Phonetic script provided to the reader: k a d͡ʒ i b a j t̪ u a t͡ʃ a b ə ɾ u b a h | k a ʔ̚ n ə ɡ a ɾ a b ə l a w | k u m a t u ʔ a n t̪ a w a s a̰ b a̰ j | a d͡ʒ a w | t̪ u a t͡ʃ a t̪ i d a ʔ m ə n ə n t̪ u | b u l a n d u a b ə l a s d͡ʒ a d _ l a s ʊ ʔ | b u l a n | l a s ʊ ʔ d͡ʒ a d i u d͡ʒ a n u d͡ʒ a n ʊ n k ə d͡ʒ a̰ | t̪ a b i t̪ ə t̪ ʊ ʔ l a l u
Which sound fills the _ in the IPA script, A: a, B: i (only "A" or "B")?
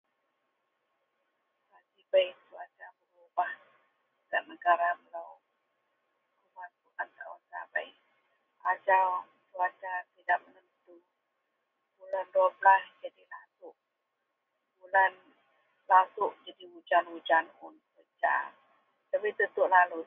B